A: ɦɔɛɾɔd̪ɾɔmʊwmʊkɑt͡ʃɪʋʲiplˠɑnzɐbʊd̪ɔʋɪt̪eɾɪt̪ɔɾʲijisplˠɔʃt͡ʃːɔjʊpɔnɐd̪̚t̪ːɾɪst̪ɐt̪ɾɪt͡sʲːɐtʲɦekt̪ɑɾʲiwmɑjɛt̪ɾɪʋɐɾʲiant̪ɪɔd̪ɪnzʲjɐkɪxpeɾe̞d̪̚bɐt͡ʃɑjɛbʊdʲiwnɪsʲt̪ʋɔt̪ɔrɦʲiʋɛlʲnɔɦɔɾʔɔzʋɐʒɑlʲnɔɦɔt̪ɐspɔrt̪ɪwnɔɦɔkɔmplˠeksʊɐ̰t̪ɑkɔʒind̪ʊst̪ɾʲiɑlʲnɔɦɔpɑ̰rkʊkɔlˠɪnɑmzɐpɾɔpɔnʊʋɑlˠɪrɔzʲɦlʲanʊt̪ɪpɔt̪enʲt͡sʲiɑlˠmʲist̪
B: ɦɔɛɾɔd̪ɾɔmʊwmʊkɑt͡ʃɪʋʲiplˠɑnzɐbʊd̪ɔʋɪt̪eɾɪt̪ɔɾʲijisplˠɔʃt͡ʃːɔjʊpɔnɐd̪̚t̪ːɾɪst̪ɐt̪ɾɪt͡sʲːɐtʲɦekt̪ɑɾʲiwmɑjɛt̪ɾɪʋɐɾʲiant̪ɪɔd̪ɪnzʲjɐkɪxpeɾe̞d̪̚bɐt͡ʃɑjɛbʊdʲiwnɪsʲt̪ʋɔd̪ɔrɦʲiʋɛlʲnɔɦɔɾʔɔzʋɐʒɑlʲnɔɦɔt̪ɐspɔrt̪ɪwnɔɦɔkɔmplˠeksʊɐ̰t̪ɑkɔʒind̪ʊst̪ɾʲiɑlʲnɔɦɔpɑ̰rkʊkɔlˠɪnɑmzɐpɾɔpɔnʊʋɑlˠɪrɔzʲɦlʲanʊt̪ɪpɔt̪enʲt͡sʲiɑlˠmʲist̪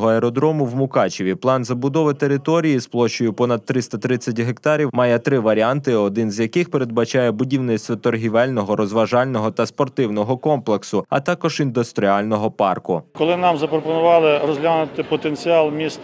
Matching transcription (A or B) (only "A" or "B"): A